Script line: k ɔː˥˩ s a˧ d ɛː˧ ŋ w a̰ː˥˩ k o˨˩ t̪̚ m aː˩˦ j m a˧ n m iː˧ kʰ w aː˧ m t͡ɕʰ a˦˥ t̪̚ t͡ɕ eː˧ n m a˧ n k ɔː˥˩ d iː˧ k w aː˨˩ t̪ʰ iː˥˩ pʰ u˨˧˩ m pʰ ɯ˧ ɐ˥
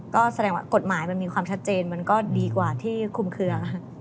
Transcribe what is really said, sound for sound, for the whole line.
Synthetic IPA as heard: k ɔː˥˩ s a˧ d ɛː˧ ŋ w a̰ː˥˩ k o˨˩ t̪̚ m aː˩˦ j m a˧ n m iː˧ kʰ w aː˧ m t͡ɕʰ a˦˥ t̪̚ t͡ɕ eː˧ n m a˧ n k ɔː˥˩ d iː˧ k w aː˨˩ t̪ʰ iː˥˩ kʰ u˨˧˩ m kʰ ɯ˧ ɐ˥